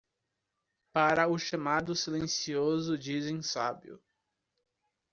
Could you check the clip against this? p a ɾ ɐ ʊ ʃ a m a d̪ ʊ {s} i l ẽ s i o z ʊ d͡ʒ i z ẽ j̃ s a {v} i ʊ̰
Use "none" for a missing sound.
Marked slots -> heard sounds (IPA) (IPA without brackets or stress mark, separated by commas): s, b